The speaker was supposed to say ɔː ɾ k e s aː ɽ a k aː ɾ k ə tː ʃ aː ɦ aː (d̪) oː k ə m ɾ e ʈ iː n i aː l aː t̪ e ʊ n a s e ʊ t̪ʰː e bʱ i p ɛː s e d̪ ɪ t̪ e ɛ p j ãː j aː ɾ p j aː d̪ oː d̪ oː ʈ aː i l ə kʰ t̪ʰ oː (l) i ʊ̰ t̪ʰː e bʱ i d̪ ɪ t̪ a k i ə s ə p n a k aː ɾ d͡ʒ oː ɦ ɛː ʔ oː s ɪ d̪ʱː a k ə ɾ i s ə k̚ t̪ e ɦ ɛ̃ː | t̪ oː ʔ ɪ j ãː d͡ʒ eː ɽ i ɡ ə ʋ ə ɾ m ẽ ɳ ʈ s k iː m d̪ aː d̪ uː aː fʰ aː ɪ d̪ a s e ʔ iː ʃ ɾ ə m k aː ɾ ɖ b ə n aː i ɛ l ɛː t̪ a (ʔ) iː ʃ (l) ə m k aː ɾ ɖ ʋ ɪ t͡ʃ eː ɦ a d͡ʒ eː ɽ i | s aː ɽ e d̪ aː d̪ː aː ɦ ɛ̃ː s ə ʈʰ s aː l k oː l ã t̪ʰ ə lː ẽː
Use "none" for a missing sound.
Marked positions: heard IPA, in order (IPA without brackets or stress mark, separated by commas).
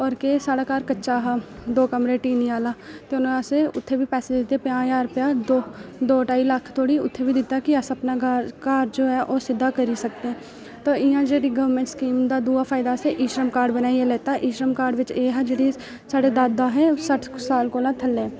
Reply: d̪, ɽ, ʔ, ɾ